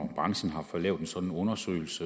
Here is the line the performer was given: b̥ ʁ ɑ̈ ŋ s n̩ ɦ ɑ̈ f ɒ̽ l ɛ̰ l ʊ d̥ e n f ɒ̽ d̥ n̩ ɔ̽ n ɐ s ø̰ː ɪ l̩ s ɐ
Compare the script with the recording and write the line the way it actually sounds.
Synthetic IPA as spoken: b̥ ʁ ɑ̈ ŋ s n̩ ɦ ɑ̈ f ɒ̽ l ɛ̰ ʊ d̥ e n s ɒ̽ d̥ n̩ ɔ̽ n ɐ s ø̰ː ɪ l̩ s ə